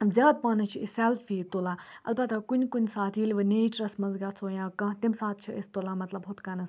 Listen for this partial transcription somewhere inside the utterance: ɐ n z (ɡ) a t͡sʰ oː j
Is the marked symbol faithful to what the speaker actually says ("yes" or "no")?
yes